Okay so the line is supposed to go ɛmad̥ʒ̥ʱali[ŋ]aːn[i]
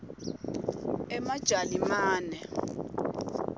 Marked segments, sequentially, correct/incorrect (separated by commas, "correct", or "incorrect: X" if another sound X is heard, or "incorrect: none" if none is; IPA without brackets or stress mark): incorrect: m, incorrect: ɛ